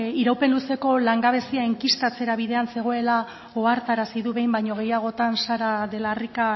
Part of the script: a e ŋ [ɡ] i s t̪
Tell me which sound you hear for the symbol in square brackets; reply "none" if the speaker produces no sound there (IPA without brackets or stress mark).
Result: k